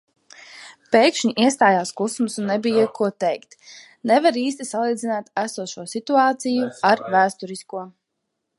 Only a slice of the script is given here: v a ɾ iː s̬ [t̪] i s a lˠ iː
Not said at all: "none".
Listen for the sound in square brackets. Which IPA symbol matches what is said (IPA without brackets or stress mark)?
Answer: t̪